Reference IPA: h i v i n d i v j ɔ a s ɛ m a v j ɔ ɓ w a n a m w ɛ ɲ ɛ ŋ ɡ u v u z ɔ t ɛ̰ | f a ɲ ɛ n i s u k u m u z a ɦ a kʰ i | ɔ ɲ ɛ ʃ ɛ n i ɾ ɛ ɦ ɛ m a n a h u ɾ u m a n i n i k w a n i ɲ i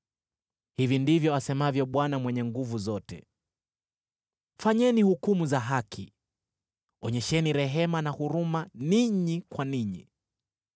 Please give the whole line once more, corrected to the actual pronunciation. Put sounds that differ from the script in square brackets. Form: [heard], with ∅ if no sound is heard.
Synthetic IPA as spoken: h i v i n d i v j ɔ a s ɛ m a v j ɔ ɓ w a n a m w ɛ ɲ ɛ ŋ ɡ u v u z ɔ t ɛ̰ | f a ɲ ɛ n i [h] u k u m u z a ɦ a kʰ i | ɔ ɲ ɛ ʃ ɛ n i ɾ ɛ ɦ ɛ m a n a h u ɾ u m a n i [ɲ] i k w a n i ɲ i